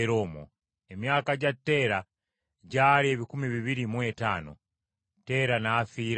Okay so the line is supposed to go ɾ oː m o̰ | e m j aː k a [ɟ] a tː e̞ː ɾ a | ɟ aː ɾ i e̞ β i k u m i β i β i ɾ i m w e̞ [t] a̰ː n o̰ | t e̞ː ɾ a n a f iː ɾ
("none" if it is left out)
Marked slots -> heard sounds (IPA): ɟ, t

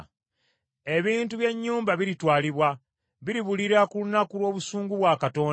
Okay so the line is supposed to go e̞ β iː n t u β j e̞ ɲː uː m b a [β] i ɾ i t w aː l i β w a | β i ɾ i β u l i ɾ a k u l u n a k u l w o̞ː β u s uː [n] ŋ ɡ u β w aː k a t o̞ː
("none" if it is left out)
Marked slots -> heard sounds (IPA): β, none

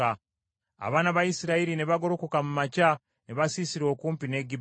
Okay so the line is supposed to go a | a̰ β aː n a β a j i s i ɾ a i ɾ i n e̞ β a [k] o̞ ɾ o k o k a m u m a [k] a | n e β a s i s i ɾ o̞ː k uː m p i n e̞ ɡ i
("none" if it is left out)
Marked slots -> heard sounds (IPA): ɡ, c

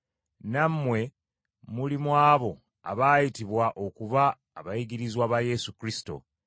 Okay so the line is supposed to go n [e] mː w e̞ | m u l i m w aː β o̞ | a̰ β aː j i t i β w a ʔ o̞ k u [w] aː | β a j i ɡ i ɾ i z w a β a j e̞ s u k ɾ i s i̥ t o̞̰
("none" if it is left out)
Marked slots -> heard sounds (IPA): a, β

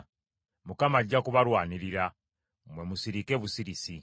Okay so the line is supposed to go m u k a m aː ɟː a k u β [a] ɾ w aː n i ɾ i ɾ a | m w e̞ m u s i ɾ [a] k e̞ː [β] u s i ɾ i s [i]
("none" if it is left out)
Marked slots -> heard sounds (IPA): a, i, β, i

